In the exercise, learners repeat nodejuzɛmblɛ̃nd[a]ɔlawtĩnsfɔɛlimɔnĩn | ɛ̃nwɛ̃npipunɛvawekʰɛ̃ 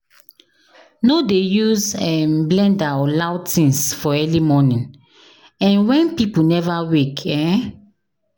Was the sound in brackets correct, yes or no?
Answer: yes